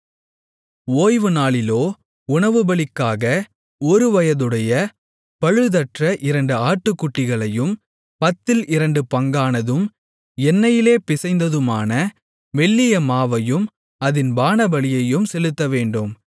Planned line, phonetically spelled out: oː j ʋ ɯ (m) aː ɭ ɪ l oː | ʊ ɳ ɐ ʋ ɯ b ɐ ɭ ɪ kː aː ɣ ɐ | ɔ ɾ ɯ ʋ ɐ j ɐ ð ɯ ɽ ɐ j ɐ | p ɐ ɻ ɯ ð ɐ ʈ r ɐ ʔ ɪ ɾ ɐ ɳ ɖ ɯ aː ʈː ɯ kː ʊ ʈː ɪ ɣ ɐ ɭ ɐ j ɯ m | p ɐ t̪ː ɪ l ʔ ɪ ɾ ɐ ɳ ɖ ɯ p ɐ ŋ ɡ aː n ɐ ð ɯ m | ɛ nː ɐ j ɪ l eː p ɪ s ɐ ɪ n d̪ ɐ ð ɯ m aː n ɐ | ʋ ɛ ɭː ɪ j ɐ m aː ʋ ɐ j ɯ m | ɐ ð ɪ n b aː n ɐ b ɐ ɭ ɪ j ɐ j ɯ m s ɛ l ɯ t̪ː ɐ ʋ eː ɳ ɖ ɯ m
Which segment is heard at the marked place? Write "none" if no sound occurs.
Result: n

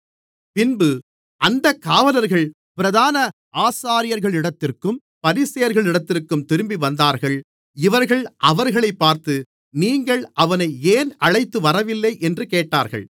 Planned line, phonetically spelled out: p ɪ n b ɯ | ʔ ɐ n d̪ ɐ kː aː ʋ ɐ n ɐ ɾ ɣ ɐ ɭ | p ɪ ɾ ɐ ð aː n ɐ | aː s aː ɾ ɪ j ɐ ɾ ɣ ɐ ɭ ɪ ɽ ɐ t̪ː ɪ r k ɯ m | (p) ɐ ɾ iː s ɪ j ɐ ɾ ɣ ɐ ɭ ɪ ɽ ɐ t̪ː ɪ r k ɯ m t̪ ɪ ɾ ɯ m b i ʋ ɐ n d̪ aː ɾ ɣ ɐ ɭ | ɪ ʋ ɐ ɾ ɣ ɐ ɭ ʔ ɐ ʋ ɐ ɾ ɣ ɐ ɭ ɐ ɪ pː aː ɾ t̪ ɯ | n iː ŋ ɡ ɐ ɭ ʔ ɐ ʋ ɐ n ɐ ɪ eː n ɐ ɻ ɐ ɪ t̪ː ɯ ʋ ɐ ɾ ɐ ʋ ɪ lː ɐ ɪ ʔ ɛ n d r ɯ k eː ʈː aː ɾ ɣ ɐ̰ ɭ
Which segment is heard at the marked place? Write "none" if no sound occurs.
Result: p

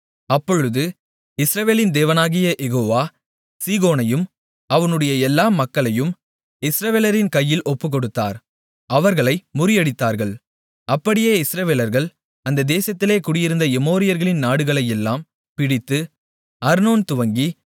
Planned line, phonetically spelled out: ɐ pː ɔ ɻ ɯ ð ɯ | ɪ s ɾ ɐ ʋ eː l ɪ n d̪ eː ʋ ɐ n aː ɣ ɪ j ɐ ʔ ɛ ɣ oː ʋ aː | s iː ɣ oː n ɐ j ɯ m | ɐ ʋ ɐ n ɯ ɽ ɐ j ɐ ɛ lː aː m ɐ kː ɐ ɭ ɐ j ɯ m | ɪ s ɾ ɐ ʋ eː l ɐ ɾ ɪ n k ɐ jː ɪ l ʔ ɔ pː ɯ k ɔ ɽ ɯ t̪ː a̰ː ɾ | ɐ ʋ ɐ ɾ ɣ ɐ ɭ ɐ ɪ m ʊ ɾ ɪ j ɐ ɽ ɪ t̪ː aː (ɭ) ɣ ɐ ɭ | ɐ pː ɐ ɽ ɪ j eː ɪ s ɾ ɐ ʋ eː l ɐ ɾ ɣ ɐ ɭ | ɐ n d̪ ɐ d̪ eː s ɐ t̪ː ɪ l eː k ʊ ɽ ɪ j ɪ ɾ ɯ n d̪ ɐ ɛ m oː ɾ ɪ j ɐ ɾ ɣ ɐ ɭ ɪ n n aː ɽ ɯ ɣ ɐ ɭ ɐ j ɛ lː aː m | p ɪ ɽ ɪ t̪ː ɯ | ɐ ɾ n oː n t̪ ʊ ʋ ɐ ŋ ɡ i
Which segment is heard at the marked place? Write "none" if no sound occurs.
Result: ɾ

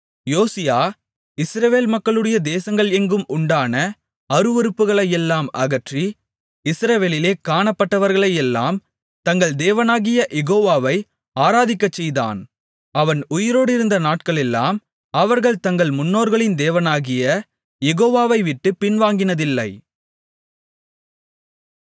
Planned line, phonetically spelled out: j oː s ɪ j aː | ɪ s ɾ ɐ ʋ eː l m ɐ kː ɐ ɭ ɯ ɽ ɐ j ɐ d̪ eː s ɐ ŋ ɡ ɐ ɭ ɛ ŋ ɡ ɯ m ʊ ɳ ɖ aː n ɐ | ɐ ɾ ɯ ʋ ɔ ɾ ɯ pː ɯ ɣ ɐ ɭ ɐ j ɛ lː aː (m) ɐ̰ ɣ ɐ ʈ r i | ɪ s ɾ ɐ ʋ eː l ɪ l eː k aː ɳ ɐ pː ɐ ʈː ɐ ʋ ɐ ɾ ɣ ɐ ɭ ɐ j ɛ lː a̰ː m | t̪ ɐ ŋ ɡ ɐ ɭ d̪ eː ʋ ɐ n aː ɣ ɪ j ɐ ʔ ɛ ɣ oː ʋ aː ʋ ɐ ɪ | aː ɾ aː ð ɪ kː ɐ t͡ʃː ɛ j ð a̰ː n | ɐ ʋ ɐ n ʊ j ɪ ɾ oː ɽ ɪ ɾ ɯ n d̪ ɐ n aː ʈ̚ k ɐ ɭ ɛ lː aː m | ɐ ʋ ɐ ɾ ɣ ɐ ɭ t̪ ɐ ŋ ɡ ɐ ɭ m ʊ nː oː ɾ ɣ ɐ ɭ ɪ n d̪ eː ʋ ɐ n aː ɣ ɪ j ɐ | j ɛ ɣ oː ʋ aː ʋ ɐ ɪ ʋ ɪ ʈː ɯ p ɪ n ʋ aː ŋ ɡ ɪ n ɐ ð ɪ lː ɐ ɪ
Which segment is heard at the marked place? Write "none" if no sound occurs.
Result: m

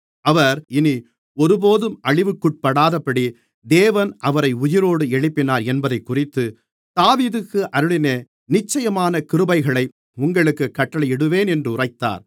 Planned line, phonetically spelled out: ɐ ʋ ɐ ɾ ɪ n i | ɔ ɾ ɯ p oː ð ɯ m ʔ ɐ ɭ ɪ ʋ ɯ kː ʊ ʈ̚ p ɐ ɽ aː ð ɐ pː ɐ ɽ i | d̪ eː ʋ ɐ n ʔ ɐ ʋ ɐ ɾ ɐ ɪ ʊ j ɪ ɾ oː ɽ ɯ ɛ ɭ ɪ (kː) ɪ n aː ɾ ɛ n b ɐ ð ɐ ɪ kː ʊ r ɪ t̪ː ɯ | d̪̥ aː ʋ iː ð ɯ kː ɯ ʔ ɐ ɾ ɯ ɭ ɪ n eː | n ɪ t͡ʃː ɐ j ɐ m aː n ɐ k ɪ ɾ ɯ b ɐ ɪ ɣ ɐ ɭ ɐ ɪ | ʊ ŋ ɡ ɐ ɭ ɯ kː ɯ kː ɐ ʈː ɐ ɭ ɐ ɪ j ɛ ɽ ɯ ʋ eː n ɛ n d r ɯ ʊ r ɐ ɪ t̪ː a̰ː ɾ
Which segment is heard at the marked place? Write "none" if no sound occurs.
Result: pː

